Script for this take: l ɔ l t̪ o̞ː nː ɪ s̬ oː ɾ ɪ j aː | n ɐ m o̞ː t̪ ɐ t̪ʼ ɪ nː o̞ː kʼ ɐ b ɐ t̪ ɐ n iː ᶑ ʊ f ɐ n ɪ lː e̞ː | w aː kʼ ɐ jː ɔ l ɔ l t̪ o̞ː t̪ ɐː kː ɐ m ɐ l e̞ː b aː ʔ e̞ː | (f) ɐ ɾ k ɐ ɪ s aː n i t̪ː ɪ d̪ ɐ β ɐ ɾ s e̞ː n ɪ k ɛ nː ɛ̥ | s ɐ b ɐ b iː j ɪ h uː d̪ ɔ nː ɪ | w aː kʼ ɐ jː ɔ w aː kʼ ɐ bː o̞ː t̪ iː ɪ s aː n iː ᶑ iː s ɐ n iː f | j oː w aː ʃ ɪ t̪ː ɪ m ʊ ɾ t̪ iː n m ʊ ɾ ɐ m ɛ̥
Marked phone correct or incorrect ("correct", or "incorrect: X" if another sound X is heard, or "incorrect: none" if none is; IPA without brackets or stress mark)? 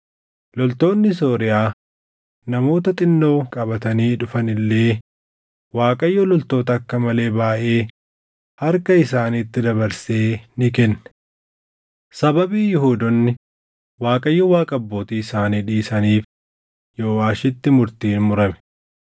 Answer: incorrect: h